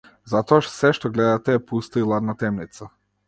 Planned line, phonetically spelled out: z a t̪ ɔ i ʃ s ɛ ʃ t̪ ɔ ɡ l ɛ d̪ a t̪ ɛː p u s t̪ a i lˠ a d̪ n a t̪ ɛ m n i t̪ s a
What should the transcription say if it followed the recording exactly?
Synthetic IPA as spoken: z a t̪ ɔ a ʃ s ɛ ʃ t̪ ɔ ɡ l ɛ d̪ a t̪ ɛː p u s t̪ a i lˠ a d̪ n a t̪ ɛ m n i t̪ s a